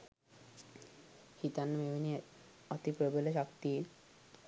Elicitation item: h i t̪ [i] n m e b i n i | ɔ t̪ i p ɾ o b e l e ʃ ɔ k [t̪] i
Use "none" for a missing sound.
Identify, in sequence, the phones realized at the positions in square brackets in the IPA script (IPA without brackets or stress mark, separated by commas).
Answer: a, t̪